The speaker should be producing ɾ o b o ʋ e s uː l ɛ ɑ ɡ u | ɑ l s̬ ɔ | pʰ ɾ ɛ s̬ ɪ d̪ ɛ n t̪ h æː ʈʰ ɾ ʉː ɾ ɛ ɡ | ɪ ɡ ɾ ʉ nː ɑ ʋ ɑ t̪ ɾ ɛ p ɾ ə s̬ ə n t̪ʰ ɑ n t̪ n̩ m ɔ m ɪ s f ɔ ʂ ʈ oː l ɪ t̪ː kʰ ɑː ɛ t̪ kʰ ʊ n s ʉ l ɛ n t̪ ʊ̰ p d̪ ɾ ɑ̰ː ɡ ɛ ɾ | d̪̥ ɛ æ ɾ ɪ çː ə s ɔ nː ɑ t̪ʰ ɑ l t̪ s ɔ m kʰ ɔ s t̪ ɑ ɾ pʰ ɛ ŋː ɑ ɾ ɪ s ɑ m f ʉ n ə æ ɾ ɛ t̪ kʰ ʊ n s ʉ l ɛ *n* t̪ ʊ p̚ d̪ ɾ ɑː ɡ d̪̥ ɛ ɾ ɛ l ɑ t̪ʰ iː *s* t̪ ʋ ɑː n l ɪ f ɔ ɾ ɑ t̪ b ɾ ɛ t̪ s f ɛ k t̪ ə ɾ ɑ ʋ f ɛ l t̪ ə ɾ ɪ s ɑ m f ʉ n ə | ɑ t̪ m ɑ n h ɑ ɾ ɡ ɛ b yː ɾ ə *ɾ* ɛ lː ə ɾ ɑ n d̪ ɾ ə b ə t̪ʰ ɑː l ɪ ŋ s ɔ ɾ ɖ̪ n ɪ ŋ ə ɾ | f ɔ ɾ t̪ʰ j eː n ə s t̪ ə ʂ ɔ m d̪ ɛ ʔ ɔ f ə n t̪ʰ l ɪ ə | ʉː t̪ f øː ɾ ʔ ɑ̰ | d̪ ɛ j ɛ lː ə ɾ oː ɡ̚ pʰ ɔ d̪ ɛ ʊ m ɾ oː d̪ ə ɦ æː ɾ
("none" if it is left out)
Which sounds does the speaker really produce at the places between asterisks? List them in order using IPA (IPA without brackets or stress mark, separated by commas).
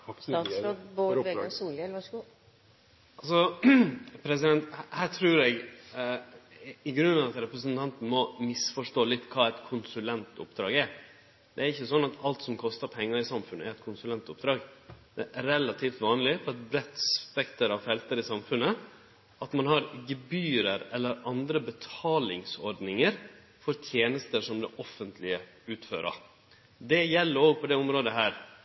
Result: n, f, ɾ